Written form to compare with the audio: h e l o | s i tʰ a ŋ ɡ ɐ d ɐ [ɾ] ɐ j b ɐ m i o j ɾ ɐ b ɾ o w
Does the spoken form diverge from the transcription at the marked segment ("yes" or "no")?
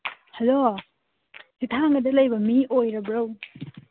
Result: yes